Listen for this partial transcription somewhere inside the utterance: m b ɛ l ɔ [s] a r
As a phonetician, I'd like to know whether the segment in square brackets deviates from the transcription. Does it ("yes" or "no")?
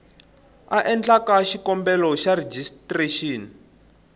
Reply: yes